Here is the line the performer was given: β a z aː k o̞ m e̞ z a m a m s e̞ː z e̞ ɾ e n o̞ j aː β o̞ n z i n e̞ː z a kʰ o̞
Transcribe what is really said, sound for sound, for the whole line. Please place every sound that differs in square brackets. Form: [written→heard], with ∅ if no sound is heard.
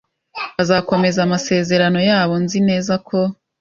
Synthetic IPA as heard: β a z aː k o̞ m e̞ z a m a [m→∅] s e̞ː z e̞ ɾ [e→a] n o̞ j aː β o̞ n z i n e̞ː z a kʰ o̞